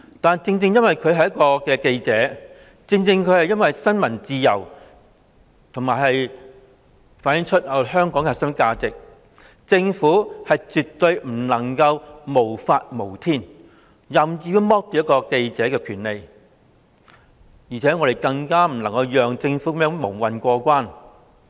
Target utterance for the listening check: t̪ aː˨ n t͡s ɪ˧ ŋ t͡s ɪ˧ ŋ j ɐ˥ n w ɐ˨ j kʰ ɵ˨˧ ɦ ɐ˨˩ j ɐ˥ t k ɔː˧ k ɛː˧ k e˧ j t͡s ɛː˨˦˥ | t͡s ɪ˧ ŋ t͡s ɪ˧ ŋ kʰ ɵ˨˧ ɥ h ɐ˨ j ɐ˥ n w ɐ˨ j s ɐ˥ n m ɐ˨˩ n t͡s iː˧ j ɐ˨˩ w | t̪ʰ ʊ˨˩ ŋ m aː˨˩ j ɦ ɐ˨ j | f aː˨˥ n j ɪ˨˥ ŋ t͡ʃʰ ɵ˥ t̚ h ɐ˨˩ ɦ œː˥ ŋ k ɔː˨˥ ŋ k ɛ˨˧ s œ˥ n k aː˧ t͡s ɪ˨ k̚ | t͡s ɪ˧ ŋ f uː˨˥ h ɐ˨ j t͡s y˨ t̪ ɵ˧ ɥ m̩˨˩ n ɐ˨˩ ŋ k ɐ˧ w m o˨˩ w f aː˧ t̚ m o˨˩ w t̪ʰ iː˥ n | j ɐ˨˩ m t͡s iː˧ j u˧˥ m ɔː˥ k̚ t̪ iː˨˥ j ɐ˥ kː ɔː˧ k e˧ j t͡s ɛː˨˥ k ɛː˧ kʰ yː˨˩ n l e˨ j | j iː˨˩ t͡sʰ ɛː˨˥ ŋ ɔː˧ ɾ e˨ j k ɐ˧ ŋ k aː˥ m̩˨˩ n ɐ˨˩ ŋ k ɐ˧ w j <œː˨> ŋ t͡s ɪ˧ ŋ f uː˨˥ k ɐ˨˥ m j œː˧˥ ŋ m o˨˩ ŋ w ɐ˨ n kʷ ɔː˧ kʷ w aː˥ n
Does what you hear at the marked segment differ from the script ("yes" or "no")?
no